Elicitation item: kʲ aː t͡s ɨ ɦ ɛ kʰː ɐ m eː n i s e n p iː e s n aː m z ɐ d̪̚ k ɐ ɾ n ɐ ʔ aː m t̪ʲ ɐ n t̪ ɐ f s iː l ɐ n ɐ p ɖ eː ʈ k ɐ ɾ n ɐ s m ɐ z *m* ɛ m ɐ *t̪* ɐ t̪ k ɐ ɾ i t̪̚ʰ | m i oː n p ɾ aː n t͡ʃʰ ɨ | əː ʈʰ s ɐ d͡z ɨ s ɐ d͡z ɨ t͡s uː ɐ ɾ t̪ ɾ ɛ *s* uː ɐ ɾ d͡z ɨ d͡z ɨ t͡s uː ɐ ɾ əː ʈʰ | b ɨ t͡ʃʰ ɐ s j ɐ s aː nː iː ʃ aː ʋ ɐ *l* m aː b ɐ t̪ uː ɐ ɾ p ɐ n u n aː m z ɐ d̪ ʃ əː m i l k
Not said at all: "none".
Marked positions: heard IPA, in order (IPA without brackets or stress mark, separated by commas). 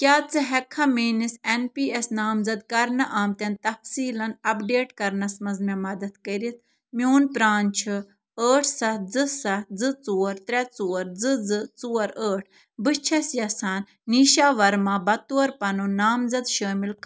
m, d̪, t͡s, ɾ